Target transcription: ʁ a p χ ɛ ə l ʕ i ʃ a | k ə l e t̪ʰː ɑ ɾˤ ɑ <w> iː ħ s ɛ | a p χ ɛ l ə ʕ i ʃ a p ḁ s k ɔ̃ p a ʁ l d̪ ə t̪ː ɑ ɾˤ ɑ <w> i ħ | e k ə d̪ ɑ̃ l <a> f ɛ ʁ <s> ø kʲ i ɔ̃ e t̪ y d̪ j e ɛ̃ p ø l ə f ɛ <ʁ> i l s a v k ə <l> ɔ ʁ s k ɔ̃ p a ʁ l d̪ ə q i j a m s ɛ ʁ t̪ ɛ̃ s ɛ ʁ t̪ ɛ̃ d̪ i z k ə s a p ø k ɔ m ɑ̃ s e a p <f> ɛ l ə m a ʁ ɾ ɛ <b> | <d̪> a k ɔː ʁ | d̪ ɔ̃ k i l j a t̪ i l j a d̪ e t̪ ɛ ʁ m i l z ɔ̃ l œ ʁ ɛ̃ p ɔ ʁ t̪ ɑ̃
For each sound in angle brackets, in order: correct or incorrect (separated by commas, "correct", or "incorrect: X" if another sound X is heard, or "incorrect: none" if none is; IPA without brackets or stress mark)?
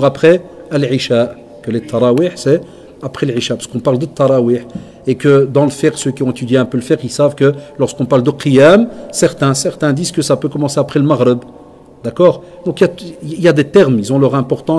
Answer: correct, correct, incorrect: ə, correct, correct, correct, incorrect: χ, correct, correct